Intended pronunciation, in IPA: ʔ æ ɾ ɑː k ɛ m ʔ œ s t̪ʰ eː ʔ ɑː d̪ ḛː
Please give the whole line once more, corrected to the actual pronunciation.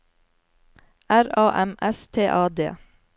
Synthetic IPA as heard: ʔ æ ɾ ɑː ʔ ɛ m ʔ ɛ s t̪ʰ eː ʔ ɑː d̪ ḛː